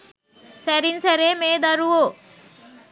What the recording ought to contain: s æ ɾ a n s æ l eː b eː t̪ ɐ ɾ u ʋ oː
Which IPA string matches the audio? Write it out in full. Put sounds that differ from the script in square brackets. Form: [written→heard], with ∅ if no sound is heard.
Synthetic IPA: s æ ɾ [a→i] n s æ [l→ɾ] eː [b→m] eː [t̪→d̪] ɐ ɾ u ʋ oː